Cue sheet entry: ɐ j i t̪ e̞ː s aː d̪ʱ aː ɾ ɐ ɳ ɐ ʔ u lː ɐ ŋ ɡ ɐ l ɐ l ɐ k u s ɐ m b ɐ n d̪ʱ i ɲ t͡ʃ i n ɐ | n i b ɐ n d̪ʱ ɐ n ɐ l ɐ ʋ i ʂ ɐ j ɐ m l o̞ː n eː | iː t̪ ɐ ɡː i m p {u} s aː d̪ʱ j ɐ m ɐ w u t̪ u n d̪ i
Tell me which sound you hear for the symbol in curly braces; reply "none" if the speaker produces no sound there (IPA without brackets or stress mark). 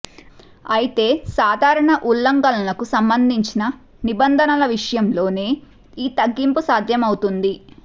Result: u